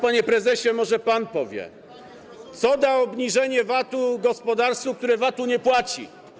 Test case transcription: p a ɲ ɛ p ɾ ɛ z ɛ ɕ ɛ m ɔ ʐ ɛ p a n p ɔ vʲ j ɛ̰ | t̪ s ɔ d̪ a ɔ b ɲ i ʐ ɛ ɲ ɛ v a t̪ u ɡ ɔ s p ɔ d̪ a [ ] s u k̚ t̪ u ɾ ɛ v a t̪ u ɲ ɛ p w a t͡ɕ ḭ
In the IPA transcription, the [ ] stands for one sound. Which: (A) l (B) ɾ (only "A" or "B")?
B